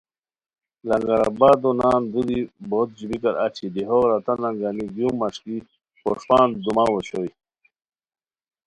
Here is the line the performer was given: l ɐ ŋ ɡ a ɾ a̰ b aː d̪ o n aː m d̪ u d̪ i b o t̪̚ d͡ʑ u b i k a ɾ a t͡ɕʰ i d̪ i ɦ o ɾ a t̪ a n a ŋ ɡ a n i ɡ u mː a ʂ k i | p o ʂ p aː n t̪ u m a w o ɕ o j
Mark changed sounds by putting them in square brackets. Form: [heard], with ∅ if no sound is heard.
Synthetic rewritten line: l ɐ ŋ ɡ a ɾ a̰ b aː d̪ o n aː [n] d̪ u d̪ i b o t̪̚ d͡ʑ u b i k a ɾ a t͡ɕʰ i d̪ i ɦ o ɾ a t̪ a n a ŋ ɡ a n i ɡ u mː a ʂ k i | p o ʂ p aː n [d̪] u m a w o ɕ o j